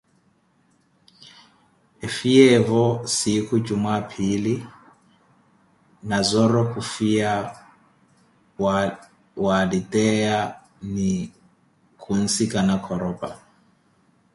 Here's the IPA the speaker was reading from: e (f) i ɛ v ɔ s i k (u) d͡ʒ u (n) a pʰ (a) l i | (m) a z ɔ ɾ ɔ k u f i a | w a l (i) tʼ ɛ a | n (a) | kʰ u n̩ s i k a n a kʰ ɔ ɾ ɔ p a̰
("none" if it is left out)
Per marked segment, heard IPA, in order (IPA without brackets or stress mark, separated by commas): f, u, m, i, n, i, i